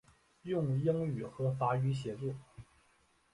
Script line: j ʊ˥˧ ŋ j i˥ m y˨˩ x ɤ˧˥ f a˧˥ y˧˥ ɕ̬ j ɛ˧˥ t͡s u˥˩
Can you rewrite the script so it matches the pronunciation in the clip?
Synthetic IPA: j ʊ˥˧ ŋ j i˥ ŋ y˨˩ x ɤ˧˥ f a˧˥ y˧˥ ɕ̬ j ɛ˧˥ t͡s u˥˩

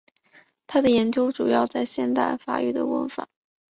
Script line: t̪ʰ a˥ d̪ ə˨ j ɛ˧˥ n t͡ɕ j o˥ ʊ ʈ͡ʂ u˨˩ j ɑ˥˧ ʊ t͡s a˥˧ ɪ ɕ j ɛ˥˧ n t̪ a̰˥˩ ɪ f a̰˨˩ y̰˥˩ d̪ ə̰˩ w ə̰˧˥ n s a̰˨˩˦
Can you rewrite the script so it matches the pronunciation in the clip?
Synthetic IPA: t̪ʰ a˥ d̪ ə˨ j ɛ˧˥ n t͡ɕ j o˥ ʊ ʈ͡ʂ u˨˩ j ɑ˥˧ ʊ t͡s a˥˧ ɪ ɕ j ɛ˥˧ n t̪ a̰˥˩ ɪ f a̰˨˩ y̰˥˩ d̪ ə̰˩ w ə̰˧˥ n f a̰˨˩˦

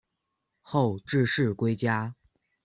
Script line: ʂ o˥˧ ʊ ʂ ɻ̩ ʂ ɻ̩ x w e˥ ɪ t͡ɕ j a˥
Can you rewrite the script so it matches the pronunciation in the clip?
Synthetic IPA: x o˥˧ ʊ ʈ͡ʂ ɻ̩ ʂ ɻ̩ k w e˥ ɪ t͡ɕ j a˥

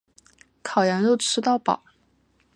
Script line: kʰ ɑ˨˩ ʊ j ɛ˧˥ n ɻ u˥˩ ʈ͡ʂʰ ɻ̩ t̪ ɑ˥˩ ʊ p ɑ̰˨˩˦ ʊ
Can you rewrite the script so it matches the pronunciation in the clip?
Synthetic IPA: kʰ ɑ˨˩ ʊ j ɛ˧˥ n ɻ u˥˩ ʈ͡ʂʰ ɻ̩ t̪ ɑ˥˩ ʊ p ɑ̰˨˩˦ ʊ

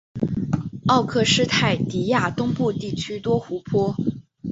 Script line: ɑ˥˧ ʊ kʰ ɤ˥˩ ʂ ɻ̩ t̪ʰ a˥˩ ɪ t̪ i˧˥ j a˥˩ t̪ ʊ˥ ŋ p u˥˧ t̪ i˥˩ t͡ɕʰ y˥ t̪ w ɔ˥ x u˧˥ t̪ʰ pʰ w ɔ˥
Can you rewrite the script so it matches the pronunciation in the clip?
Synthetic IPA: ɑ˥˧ ʊ kʰ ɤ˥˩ ʂ ɻ̩ t̪ʰ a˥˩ ɪ t̪ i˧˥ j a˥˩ t̪ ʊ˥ ŋ p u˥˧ t̪ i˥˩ t͡ɕʰ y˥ t̪ w ɔ˥ x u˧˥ pʰ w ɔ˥

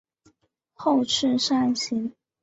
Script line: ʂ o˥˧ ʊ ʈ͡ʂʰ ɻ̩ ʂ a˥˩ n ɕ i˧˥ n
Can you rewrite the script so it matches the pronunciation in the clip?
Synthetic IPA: x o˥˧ ʊ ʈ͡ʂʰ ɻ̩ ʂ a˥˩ n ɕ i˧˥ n

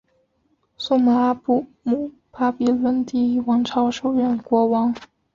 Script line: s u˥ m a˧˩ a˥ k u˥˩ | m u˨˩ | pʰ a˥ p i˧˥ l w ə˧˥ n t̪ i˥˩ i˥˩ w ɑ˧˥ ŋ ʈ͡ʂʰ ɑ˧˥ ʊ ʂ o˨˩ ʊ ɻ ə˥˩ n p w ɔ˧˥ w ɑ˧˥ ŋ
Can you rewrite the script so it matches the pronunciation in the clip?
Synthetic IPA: s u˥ m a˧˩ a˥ p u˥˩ | m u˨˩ | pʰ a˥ p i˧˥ l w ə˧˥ n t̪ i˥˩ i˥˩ w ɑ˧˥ ŋ ʈ͡ʂʰ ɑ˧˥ ʊ ʂ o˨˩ ʊ ɻ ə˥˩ n k w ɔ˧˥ w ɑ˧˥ ŋ

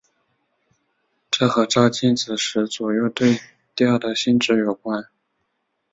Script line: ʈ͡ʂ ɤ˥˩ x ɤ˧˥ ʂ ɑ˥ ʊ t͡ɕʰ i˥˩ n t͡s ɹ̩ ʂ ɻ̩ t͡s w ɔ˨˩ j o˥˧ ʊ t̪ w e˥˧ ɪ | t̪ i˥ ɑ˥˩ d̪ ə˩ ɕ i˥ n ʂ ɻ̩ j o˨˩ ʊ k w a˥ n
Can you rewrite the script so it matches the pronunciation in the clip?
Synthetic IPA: ʈ͡ʂ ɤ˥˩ x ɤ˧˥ ʈ͡ʂ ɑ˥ ʊ t͡ɕ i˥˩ n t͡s ɹ̩ ʂ ɻ̩ t͡s w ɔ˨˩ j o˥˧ ʊ t̪ w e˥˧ ɪ | t̪ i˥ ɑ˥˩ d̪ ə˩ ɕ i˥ n ʈ͡ʂ ɻ̩ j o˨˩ ʊ k w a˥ n

